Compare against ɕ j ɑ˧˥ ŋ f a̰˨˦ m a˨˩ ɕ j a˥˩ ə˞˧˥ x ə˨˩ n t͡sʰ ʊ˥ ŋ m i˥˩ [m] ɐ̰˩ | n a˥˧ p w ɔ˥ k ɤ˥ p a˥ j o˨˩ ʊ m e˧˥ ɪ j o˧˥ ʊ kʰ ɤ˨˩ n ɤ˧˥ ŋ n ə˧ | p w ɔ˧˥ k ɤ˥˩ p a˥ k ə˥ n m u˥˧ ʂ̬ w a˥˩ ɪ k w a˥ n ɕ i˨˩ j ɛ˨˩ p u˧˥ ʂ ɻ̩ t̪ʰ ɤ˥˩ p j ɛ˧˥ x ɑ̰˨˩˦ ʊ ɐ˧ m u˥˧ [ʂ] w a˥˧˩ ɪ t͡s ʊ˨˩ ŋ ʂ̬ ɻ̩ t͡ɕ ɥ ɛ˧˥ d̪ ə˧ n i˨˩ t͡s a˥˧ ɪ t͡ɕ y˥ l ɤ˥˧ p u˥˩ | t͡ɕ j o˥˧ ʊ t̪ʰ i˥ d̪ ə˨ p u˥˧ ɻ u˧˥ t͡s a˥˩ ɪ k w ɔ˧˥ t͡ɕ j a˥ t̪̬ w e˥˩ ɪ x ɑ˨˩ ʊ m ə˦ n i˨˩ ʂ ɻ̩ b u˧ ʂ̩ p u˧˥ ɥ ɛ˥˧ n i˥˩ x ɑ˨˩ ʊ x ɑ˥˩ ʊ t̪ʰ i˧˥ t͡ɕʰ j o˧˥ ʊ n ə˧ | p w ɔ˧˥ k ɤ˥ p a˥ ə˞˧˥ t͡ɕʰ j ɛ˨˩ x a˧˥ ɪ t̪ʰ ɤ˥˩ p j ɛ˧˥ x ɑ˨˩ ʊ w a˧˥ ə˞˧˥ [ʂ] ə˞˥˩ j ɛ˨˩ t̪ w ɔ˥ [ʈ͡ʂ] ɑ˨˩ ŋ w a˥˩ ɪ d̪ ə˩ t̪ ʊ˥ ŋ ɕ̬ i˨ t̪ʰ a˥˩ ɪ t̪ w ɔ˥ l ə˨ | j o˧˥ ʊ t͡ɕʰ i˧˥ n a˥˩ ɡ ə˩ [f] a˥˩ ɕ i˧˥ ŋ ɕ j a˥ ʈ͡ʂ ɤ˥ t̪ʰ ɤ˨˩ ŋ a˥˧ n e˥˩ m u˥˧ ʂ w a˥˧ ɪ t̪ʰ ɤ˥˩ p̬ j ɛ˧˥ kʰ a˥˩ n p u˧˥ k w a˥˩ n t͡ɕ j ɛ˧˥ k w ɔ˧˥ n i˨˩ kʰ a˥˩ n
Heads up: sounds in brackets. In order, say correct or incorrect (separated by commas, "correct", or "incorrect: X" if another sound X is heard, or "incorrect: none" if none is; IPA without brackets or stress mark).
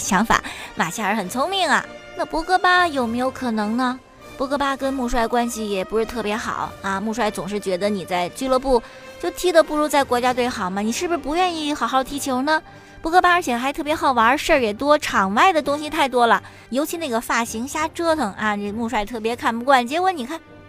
incorrect: ŋ, correct, correct, incorrect: ʈ͡ʂʰ, correct